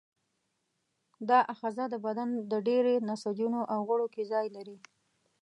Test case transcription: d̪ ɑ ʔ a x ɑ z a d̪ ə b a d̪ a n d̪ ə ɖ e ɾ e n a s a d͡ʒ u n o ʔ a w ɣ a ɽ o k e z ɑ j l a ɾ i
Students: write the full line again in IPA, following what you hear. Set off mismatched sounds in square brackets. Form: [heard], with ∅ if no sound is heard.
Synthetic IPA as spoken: d̪ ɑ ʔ a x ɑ z a d̪ ə b a d̪ a n d̪ ə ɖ e ɾ e n a s a d͡ʒ u n o ʔ a w ɣ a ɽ o k e z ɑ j l a ɾ i

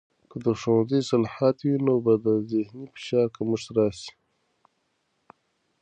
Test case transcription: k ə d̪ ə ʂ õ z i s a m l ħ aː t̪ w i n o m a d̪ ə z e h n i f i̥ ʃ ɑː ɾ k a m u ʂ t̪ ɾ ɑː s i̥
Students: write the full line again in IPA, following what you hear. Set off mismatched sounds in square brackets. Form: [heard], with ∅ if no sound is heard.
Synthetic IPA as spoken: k ə d̪ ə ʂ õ z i s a [∅] l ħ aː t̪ w i n o [b] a d̪ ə z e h n i f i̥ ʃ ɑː ɾ k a m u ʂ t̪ ɾ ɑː s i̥

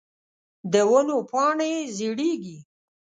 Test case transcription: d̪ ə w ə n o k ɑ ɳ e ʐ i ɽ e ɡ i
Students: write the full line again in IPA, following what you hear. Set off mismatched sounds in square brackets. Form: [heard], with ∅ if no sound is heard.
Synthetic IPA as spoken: d̪ ə w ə n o [p] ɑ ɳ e [z] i ɽ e ɡ i

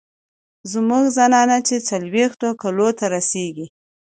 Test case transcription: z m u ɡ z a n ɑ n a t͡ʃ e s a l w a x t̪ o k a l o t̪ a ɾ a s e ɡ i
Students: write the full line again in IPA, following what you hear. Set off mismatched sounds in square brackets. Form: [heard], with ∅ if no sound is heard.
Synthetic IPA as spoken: z m u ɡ z a n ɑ n a t͡ʃ e [t͡s] a l w [e] x t̪ o k a l o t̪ a ɾ a s e ɡ i

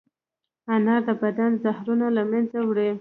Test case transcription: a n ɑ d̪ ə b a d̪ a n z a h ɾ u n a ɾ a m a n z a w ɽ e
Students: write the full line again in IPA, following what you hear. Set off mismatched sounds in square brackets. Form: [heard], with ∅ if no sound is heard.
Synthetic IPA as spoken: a n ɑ d̪ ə b a d̪ a n z a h ɾ u n a [l] a m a n z a w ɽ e

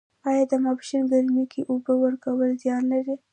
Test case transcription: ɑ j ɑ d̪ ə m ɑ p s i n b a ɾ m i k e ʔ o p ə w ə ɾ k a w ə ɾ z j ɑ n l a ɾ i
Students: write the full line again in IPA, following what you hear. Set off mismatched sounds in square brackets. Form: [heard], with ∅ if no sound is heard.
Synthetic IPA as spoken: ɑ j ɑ d̪ ə m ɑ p [ʃ] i n [ɡ] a ɾ m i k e ʔ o [b] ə w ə ɾ k a w ə [l] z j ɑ n l a ɾ i

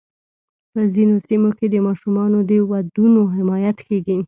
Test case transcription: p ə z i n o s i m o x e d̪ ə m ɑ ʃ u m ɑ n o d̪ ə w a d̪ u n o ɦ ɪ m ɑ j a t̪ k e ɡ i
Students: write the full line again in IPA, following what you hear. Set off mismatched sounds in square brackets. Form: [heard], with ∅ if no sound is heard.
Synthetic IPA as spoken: p ə z i n o s i m o [k] e d̪ ə m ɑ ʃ u m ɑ n o d̪ ə w a d̪ u n o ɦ ɪ m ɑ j a t̪ k e ɡ i

